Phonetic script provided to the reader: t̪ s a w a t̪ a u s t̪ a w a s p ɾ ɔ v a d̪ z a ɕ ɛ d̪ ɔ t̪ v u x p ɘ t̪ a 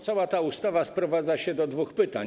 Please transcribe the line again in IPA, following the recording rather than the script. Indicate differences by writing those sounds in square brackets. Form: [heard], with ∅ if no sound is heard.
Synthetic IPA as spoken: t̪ s a w a t̪ a u s t̪ a [v] a s p ɾ ɔ v a d̪ z a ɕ ɛ d̪ ɔ [d̪] v u x p ɘ t̪ a